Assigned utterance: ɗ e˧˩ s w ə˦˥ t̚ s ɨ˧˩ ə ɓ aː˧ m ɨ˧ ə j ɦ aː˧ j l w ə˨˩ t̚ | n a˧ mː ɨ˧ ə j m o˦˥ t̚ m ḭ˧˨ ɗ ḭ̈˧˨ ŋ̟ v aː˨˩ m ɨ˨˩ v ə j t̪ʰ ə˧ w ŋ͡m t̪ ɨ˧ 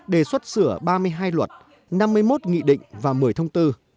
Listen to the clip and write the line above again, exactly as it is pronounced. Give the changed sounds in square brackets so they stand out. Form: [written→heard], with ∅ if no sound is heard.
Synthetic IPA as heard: ɗ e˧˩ s w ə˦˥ t̚ s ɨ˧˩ ə ɓ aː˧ m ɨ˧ ə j ɦ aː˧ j l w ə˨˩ t̚ | n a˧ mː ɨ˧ ə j m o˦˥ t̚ [m→ŋ] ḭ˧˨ ɗ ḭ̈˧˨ ŋ̟ v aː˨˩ m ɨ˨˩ [v→∅] ə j t̪ʰ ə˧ w ŋ͡m t̪ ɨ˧